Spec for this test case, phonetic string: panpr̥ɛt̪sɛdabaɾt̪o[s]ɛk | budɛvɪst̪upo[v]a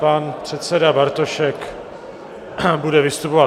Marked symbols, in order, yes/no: no, yes

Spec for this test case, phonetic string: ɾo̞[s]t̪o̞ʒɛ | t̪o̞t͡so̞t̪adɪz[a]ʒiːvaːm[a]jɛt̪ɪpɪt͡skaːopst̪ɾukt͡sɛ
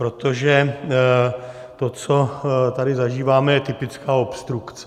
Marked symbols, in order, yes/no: no, yes, no

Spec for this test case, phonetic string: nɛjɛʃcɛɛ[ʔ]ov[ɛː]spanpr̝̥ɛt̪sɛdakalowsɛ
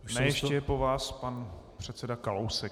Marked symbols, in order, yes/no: no, no

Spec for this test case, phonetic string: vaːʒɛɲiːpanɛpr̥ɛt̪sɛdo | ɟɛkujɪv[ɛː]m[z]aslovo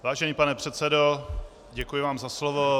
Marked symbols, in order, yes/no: no, yes

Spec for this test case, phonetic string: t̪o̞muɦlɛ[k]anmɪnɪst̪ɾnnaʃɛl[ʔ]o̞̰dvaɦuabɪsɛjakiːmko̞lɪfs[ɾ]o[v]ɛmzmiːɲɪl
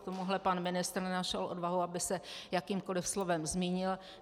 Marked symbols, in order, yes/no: no, yes, no, yes

